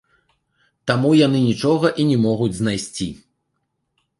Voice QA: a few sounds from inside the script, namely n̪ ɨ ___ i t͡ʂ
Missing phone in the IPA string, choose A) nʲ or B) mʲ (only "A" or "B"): A